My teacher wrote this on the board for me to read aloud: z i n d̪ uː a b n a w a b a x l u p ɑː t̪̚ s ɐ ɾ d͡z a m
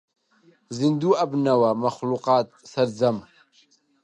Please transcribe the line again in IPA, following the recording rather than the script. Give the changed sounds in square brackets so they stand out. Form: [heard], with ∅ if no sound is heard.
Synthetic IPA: z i n d̪ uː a b n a w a [m] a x l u [q] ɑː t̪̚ s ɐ ɾ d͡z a m